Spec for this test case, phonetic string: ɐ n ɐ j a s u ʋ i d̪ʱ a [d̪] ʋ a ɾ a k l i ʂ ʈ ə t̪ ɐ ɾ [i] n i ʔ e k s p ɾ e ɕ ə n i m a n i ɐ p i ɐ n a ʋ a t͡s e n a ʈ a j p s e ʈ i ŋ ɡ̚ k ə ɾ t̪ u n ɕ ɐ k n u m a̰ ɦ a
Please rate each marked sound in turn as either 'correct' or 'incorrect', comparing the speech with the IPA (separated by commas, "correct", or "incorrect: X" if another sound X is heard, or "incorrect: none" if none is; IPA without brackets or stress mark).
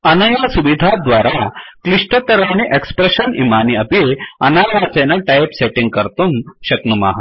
correct, incorrect: a